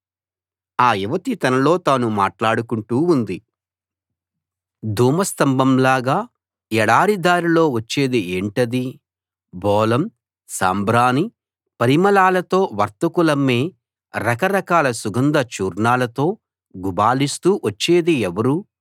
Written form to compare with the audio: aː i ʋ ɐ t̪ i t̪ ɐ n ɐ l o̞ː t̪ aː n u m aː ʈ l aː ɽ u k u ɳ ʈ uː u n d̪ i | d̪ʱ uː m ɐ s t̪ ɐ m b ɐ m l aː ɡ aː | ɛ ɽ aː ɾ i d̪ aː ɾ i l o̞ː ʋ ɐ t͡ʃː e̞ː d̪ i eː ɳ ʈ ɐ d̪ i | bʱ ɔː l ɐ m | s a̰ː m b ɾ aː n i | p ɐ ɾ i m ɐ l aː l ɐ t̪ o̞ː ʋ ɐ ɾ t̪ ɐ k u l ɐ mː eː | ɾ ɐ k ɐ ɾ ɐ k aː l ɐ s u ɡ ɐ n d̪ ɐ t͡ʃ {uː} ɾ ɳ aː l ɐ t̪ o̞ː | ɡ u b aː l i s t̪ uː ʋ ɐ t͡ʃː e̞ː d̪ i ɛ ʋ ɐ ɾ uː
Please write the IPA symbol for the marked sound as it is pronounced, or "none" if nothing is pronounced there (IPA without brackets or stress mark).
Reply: uː